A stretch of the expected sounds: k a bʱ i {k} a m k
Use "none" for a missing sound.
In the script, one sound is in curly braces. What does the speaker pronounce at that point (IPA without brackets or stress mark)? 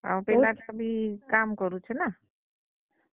k